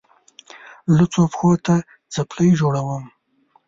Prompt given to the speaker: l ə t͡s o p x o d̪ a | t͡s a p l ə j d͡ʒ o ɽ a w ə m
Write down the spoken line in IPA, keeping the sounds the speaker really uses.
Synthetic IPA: l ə t͡s o p x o t̪ a | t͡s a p l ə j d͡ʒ o ɽ a w ə m